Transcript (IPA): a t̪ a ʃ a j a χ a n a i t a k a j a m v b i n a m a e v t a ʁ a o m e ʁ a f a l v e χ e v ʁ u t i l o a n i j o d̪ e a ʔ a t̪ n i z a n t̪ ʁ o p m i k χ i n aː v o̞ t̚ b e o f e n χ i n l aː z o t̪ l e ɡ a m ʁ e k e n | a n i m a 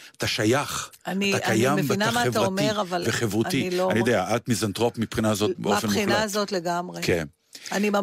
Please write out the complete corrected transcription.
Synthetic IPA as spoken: a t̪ a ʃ a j a χ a n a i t a k a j a m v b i n a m a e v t a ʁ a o m e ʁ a v a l v e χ e v ʁ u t i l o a n i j o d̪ e a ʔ a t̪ m i z a n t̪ ʁ o p m i p χ i n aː z o̞ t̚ b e o f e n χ i n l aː z o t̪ l e ɡ a m ʁ e k e n | a n i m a